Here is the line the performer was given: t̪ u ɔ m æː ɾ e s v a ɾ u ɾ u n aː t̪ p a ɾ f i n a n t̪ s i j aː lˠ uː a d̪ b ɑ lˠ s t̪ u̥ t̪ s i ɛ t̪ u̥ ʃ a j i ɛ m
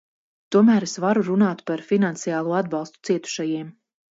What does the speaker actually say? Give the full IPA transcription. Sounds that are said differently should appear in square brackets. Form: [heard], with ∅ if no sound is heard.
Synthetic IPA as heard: t̪ u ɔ m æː ɾ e s v a ɾ u ɾ u n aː t̪ p a ɾ f i n a n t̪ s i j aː lˠ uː a d̪ b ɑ lˠ s t̪ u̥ t̪ s i ɛ t̪ u̥ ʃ a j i ɛ m

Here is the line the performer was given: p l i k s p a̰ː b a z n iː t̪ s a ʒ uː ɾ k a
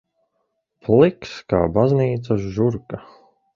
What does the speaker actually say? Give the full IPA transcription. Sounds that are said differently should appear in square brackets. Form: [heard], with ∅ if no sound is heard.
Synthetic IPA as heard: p l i k s [k] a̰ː b a z n iː t̪ s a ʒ [u] ɾ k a

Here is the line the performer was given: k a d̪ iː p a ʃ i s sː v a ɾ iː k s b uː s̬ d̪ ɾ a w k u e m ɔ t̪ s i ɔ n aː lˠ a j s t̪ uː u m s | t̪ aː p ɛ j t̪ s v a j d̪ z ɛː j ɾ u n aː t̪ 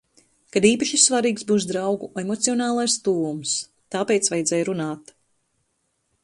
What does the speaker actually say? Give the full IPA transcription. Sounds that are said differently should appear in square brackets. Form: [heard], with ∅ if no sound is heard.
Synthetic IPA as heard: k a d̪ iː p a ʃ i s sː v a ɾ iː k s b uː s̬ d̪ ɾ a w [ɡ] u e m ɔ t̪ s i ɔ n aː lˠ a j s t̪ uː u m s | t̪ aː p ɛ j t̪ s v a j d̪ z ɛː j ɾ u n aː t̪

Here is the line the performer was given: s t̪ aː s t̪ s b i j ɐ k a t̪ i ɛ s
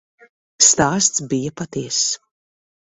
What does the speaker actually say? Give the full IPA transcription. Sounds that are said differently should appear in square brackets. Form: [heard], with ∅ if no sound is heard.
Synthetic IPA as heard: s t̪ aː s t̪ s b i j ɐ [p] a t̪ i ɛ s

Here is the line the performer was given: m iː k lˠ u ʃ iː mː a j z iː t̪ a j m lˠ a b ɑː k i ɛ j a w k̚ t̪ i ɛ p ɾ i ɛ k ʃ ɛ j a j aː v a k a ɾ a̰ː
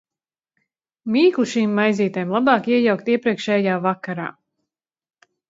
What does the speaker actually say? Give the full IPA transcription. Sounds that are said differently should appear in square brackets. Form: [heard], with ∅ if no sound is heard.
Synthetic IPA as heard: m iː k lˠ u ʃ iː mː a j z iː t̪ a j m lˠ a b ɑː k i ɛ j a w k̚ t̪ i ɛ p ɾ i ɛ k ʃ ɛ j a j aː v a k a ɾ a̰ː

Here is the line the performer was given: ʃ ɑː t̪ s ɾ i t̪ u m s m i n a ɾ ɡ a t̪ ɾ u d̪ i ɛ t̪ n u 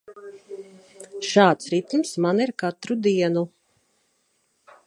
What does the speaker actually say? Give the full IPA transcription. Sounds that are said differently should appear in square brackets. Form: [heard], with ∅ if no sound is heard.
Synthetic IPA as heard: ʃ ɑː t̪ s ɾ i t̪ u m s m [a] n [i] ɾ [k] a t̪ ɾ u d̪ i ɛ [∅] n u

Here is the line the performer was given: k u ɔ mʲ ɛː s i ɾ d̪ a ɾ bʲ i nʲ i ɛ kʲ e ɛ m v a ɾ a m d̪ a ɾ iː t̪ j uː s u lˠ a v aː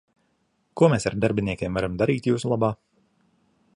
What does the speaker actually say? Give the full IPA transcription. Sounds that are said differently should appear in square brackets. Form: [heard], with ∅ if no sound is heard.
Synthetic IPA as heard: k u ɔ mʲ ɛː s [a] ɾ d̪ a ɾ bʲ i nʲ i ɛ kʲ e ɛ m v a ɾ a m d̪ a ɾ iː t̪ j uː s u lˠ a [b] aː

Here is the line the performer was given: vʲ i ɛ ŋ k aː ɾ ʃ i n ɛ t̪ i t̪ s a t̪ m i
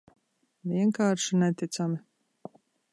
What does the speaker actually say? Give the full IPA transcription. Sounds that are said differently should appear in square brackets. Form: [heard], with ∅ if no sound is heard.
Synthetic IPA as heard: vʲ i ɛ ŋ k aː ɾ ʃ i n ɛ t̪ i t̪ s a [∅] m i

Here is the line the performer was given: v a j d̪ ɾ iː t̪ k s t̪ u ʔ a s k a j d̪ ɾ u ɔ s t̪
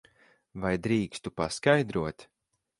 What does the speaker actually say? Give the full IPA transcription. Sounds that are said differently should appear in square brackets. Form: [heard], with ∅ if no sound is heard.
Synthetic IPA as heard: v a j d̪ ɾ iː [∅] k s t̪ u [p] a s k a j d̪ ɾ u ɔ [∅] t̪

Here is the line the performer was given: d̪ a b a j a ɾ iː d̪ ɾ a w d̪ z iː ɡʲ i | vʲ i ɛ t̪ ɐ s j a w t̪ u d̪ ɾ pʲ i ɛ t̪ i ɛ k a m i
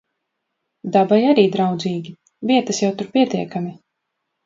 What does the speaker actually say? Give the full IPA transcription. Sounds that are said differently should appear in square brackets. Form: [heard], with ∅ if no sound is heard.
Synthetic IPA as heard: d̪ a b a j a ɾ iː d̪ ɾ a w d̪ z iː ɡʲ i | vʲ i ɛ t̪ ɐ s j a w t̪ u [∅] ɾ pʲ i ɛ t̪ i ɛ k a m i

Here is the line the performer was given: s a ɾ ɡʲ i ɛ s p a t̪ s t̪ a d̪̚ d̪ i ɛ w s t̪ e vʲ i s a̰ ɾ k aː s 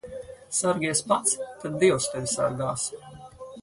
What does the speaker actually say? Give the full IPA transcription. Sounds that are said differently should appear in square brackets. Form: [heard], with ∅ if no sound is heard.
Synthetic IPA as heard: s a ɾ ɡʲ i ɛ s p a t̪ s t̪ a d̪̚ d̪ i ɛ w s t̪ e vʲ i s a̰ ɾ [ɡ] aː s

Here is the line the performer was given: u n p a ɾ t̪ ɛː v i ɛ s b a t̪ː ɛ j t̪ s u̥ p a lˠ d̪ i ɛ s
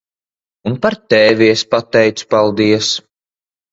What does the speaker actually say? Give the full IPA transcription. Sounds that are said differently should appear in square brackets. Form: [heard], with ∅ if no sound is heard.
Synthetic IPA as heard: u n p a ɾ t̪ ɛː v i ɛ s [p] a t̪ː ɛ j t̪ s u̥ p a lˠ d̪ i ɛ s

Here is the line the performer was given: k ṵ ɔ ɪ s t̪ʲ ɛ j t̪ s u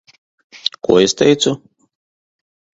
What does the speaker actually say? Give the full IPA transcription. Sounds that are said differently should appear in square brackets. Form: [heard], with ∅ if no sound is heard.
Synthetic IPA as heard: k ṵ ɔ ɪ s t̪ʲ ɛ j t̪ s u

